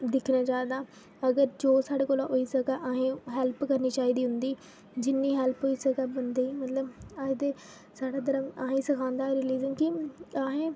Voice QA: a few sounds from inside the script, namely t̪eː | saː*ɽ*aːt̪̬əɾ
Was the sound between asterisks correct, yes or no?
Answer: yes